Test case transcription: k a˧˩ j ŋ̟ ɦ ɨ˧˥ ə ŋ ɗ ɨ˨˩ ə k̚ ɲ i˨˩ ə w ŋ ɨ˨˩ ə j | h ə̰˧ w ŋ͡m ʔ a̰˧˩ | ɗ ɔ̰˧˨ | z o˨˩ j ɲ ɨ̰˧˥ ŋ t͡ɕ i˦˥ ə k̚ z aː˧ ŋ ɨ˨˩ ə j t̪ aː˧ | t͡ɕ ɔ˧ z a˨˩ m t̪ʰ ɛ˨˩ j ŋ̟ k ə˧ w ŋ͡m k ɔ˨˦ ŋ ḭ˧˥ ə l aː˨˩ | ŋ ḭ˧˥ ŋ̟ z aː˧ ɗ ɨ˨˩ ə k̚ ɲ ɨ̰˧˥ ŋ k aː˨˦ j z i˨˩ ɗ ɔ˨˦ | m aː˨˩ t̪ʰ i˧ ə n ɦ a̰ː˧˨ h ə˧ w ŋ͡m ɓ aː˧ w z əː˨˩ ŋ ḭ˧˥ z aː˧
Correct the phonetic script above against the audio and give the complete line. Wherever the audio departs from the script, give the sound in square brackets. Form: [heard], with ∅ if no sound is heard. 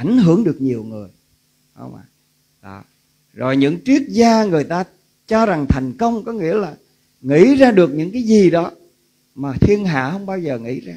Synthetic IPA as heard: [ʔ] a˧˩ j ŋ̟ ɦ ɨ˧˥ ə ŋ ɗ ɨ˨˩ ə k̚ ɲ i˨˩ ə w ŋ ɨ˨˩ ə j | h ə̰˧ w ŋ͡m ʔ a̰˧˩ | ɗ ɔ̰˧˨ | z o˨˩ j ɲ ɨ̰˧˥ ŋ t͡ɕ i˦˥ ə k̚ z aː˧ ŋ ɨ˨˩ ə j t̪ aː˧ | t͡ɕ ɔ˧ z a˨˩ [ŋ] t̪ʰ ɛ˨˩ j ŋ̟ k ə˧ w ŋ͡m k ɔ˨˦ ŋ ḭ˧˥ ə l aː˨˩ | ŋ ḭ˧˥ [∅] z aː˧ ɗ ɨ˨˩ ə k̚ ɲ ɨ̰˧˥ ŋ k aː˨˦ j z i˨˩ ɗ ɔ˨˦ | m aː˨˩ t̪ʰ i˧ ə n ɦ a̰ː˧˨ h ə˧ w ŋ͡m ɓ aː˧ w z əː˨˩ ŋ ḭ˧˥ z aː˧

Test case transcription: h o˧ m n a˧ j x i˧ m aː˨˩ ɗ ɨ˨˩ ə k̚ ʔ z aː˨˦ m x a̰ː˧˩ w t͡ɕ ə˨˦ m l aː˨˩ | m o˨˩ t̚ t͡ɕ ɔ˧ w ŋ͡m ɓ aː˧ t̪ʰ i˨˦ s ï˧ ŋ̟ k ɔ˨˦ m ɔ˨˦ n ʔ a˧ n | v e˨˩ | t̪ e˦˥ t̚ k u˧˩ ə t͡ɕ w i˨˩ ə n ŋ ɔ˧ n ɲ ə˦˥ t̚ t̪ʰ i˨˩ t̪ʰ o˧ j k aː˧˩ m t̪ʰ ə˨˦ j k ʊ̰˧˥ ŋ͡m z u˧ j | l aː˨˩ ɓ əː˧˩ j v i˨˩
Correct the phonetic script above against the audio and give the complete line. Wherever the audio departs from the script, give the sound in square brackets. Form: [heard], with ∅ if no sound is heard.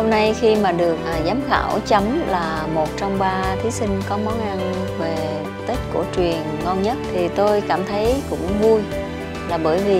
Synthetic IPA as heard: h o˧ m n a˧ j x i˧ m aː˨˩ ɗ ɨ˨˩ ə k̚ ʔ z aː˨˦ m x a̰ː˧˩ w t͡ɕ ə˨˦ m l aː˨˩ | m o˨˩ t̚ t͡ɕ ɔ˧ w ŋ͡m ɓ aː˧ t̪ʰ i˨˦ s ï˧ ŋ̟ k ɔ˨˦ m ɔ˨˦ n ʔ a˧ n | v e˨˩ | t̪ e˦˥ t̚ k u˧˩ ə t͡ɕ w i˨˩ ə n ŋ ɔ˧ n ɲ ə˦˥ t̚ t̪ʰ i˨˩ [t̪] o˧ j k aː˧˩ m t̪ʰ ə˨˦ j k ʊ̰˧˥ ŋ͡m [v] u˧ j | l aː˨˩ ɓ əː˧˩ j v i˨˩

